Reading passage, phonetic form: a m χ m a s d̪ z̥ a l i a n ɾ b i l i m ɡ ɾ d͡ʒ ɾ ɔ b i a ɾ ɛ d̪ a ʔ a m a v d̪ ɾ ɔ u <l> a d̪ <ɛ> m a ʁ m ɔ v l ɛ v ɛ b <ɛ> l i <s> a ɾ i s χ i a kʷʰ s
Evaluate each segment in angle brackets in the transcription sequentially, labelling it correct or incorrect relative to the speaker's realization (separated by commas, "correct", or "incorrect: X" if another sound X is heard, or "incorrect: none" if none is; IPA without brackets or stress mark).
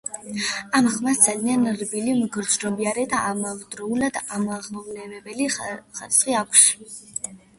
correct, incorrect: a, correct, incorrect: χ